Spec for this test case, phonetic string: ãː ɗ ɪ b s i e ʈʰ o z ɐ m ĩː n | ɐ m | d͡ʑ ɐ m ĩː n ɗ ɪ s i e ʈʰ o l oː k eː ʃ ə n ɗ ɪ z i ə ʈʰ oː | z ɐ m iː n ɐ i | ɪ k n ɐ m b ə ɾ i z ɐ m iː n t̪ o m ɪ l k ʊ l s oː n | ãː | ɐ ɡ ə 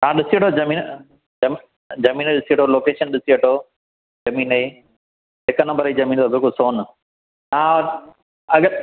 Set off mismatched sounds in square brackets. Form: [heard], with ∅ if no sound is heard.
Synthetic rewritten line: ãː ɗ ɪ [∅] s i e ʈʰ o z ɐ m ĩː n | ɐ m | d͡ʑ ɐ m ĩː n ɗ ɪ s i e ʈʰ o l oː k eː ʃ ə n ɗ ɪ [s] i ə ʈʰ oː | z ɐ m iː n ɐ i | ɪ k n ɐ m b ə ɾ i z ɐ m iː n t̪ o [b] ɪ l k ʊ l s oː n | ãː | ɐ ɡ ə